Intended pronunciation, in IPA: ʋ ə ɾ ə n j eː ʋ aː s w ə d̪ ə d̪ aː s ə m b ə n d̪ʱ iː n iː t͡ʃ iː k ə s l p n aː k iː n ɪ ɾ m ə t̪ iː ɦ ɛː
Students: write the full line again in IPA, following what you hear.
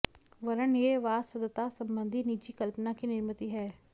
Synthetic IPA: ʋ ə ɾ ə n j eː ʋ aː s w ə d̪ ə t̪ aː s ə m b ə n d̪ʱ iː n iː t͡ʃ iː k ə l p n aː k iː n ɪ ɾ m ə t̪ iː ɦ ɛː